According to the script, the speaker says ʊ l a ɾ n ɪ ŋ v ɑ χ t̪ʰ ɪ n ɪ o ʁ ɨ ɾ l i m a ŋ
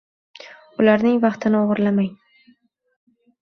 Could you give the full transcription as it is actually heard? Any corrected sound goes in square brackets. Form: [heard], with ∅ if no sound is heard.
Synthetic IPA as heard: ʊ l a ɾ n ɪ ŋ v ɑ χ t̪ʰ ɪ n ɪ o ʁ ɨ ɾ l [a] m a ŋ

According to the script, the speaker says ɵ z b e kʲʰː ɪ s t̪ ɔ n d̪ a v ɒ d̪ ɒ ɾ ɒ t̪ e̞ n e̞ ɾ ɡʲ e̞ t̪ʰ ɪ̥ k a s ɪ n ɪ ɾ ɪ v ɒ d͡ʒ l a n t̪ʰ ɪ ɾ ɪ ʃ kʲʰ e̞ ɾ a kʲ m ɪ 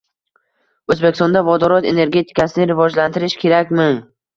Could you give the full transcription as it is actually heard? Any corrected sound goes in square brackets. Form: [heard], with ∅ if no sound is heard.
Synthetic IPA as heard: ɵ z b e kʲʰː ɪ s t̪ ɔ n d̪ a v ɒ d̪ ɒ ɾ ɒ t̪ e̞ n e̞ ɾ ɡʲ e̞ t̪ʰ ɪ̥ k a s ɪ n ɪ ɾ ɪ v ɒ d͡ʒ l a n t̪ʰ ɪ ɾ ɪ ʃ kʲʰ e̞ ɾ a kʲ m ɪ

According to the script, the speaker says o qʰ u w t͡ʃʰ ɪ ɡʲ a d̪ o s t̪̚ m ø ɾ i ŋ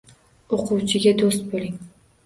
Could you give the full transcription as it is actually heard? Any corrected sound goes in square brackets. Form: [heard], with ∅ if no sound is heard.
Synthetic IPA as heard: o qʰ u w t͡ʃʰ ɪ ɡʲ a d̪ o s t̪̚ [b] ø [l] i ŋ

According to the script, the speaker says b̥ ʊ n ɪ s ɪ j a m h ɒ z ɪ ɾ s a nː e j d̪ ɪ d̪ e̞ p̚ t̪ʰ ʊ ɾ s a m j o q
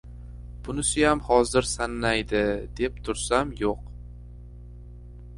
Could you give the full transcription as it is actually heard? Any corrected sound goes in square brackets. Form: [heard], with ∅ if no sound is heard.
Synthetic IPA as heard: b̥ ʊ n ɪ s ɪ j a m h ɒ z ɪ ɾ s a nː [a] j d̪ ɪ d̪ e̞ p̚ t̪ʰ ʊ ɾ s a m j o q

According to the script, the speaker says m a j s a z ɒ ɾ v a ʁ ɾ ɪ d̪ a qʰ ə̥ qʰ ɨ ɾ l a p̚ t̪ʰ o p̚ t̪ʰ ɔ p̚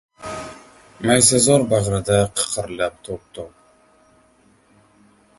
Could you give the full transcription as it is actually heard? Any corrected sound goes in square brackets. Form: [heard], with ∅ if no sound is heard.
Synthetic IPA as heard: m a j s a z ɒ ɾ [b] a ʁ ɾ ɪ d̪ a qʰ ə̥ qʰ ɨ ɾ l a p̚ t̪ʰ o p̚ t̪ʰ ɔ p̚

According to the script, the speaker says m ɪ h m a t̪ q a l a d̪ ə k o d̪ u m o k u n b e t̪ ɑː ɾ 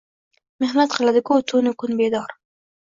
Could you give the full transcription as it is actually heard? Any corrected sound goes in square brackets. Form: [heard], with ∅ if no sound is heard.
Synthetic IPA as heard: m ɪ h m a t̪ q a l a d̪ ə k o [t̪] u [n] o k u n b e [d̪] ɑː ɾ

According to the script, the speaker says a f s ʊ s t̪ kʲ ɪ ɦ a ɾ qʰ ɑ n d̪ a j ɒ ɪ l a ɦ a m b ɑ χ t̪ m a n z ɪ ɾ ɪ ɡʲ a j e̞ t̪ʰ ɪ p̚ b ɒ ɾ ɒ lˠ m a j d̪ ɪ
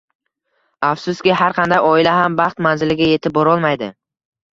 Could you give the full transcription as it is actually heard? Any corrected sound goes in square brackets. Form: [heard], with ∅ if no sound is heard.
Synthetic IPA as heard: a f s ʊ s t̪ kʲ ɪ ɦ a ɾ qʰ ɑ n d̪ a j ɒ ɪ l a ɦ a m b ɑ χ t̪ m a n z ɪ [l] ɪ ɡʲ a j e̞ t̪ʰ ɪ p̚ b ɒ ɾ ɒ lˠ m a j d̪ ɪ

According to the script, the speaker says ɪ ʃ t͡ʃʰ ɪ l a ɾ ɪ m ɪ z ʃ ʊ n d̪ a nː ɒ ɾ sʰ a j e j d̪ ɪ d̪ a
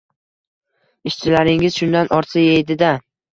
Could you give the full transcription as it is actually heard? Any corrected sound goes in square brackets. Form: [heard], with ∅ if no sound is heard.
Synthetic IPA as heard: ɪ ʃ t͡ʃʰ ɪ l a ɾ ɪ [ŋ] ɪ z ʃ ʊ n d̪ a [n] ɒ ɾ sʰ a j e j d̪ ɪ d̪ a

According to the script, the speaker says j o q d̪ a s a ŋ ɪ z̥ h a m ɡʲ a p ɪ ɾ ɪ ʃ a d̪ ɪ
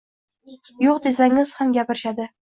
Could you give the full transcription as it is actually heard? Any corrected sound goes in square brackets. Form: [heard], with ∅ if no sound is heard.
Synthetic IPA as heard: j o q d̪ [e] s a ŋ ɪ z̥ h a m ɡʲ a p ɪ ɾ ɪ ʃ a d̪ ɪ

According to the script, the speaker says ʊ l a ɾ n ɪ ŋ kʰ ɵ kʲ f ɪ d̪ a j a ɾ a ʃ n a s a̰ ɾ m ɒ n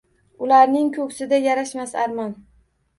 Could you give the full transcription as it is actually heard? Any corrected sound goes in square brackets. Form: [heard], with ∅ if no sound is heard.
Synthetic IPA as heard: ʊ l a ɾ n ɪ ŋ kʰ ɵ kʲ [s] ɪ d̪ a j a ɾ a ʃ [m] a s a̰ ɾ m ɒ n

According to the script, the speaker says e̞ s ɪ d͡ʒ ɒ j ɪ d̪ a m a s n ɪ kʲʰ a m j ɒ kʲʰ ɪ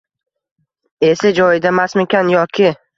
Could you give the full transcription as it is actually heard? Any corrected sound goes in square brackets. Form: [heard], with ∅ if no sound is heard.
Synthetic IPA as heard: e̞ s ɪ d͡ʒ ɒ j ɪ d̪ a m a s [m] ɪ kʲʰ a [n] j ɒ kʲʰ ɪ

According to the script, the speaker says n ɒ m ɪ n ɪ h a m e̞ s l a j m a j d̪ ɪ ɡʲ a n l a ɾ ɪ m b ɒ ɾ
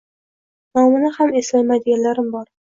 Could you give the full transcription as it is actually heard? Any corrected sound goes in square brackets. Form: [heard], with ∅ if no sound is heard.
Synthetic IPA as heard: n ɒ m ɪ n ɪ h a m e̞ s l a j m a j d̪ ɪ ɡʲ a n l a ɾ ɪ m b ɒ ɾ

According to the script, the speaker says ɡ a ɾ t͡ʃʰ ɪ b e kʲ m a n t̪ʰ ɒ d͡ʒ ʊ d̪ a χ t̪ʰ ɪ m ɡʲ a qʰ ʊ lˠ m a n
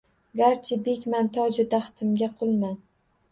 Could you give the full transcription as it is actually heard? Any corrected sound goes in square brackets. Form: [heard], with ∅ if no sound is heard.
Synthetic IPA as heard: ɡ a ɾ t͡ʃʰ ɪ b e kʲ m a n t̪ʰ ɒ d͡ʒ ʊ d̪ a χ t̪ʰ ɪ m ɡʲ a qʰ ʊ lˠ m a n

